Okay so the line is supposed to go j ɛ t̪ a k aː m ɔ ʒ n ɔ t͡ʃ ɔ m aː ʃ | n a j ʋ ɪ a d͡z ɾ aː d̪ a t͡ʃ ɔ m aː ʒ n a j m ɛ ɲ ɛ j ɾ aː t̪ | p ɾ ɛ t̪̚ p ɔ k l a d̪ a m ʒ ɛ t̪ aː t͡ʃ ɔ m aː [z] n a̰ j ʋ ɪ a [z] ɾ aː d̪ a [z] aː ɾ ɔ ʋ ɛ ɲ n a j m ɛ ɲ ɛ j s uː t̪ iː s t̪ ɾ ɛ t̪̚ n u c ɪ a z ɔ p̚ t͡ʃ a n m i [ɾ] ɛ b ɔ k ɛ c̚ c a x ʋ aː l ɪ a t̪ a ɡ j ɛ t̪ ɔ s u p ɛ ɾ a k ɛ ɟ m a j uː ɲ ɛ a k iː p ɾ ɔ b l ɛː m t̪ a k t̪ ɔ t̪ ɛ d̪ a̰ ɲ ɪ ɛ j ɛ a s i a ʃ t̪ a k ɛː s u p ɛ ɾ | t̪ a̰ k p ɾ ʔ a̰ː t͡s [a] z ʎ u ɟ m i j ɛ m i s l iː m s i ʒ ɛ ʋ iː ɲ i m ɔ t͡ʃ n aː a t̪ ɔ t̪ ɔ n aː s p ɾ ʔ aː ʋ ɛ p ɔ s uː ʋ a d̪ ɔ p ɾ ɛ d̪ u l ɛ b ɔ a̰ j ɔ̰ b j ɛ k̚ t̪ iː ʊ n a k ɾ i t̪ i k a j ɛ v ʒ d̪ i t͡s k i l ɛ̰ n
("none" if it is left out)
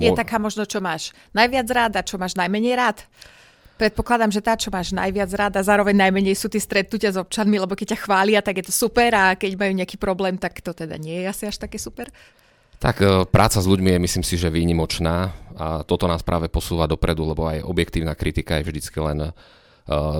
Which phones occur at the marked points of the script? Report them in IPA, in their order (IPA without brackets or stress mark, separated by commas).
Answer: ʒ, d͡z, z, l, a